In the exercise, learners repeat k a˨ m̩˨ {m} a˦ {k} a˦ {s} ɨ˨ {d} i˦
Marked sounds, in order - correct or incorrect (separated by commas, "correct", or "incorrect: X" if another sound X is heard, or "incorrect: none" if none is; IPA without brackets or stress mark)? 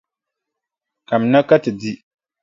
incorrect: n, correct, incorrect: t, correct